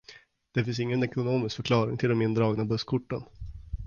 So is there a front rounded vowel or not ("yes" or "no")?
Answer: yes